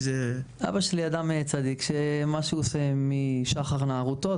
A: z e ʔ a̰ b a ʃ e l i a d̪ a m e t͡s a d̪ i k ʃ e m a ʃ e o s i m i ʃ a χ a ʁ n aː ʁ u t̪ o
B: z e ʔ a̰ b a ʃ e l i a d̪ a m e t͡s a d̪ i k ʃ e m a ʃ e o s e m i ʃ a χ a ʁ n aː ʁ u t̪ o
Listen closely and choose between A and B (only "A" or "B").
B